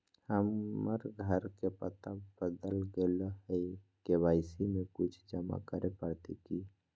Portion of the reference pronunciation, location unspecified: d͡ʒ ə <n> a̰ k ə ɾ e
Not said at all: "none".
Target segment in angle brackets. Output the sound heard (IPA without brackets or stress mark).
m